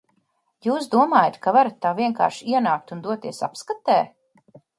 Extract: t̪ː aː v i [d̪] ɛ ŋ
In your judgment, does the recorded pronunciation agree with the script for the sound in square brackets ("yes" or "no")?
no